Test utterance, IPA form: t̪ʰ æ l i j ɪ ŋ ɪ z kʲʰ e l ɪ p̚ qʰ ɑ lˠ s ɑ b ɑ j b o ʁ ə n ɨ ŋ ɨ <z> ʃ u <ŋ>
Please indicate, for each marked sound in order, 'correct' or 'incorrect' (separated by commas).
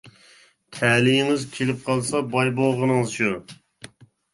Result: correct, incorrect